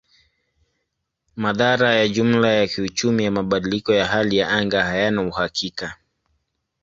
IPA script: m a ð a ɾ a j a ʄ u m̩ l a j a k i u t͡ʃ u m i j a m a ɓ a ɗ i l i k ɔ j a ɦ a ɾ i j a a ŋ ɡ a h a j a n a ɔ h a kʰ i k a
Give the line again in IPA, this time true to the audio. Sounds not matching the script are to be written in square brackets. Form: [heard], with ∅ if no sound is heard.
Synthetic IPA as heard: m a ð a ɾ a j a ʄ u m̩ l a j a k i u t͡ʃ u m i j a m a ɓ a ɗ i l i k ɔ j a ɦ a [l] i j a a ŋ ɡ a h a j a n a [u] h a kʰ i k a